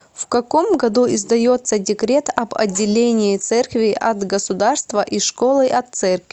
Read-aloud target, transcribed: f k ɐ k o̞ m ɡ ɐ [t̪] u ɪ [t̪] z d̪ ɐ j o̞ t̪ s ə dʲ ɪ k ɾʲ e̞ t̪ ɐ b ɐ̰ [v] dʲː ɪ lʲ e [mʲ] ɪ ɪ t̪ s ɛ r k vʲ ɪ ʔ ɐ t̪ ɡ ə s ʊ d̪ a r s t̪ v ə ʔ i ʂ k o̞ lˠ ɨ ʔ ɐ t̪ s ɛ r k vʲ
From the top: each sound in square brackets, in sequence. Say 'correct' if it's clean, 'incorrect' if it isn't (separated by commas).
incorrect, incorrect, incorrect, incorrect